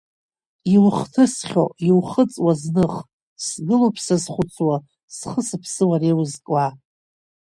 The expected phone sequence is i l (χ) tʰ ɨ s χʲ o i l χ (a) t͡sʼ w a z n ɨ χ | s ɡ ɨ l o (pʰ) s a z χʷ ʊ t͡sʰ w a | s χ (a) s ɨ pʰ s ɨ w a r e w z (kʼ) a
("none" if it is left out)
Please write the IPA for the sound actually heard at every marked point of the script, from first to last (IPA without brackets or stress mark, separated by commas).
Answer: χ, ə, pʰ, ə, kʼ